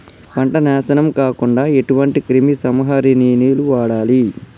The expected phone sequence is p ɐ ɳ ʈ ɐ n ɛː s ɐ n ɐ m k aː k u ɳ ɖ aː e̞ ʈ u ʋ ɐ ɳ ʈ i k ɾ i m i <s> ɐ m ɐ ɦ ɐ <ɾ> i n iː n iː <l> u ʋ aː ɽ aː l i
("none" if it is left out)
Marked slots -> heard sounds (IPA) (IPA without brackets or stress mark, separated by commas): s, ɾ, l